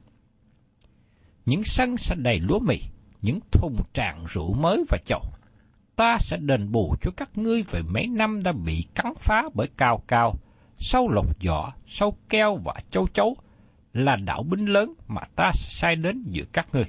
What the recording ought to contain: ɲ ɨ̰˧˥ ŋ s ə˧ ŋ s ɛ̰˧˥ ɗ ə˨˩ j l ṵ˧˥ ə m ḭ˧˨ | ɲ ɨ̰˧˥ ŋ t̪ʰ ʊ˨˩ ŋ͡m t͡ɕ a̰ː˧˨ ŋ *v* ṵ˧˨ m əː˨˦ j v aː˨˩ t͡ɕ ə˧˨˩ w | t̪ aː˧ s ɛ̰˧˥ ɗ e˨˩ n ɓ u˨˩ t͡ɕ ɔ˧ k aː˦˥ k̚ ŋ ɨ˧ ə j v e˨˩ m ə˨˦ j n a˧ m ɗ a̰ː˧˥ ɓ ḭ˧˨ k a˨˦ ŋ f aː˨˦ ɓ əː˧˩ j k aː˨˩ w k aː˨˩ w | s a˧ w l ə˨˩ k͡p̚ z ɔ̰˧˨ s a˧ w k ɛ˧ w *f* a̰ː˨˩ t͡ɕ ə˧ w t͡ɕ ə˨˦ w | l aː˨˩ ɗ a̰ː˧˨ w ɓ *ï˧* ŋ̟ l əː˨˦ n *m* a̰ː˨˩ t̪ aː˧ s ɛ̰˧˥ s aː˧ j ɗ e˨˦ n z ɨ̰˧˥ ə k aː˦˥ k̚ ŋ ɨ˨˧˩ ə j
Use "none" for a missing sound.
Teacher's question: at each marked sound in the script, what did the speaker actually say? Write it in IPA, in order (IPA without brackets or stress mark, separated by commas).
z, v, ï˧, m